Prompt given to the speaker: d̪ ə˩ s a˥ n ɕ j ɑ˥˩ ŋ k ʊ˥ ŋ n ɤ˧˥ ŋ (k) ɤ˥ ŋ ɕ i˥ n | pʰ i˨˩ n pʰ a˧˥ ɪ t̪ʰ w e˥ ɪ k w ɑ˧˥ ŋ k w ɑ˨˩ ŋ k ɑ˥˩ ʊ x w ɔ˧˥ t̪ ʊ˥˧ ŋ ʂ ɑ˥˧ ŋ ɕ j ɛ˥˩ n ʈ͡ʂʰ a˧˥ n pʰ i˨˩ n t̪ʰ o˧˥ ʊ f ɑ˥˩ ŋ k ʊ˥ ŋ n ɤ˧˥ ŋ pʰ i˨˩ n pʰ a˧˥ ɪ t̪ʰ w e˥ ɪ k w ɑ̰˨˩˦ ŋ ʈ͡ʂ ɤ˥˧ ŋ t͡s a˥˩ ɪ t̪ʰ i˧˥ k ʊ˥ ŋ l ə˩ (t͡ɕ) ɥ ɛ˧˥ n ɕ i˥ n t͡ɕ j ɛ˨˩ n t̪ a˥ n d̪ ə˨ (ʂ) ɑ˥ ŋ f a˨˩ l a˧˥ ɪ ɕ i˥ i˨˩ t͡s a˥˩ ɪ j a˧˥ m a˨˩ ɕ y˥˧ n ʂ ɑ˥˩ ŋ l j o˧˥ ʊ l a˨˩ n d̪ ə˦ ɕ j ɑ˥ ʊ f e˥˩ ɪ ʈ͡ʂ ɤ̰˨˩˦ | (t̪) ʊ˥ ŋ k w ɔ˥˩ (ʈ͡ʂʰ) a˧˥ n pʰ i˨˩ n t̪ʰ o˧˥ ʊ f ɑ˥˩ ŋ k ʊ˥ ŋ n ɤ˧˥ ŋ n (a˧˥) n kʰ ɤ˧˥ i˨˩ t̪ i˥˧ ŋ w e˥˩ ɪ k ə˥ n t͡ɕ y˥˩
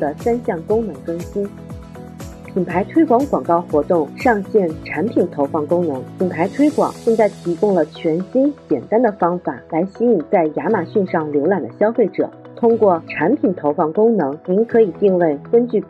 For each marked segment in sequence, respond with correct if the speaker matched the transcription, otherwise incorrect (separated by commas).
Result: correct, incorrect, incorrect, incorrect, correct, incorrect